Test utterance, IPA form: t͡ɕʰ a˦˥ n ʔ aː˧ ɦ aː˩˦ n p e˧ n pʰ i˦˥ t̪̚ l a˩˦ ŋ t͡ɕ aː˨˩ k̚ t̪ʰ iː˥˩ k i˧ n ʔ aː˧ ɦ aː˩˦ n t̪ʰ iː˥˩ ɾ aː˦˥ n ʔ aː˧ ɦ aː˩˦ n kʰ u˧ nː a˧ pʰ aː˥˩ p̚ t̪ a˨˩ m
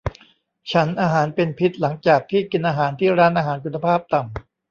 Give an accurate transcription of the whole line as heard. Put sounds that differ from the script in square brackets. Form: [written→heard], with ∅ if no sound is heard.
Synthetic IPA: t͡ɕʰ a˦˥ n ʔ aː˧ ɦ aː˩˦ n p e˧ n pʰ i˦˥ t̪̚ l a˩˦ ŋ t͡ɕ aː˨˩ k̚ t̪ʰ iː˥˩ k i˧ n ʔ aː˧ ɦ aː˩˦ n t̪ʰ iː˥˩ ɾ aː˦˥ n ʔ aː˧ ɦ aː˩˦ n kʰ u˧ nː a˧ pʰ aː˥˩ p̚ t̪ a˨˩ m